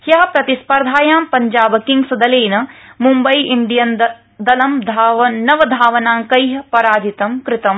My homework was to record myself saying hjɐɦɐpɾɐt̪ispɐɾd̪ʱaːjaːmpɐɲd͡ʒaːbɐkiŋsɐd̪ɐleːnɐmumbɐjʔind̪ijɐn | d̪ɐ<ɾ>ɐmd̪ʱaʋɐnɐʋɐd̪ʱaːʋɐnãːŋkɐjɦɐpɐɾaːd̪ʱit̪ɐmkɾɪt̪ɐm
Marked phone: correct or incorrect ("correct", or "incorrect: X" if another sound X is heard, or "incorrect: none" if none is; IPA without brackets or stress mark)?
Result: incorrect: l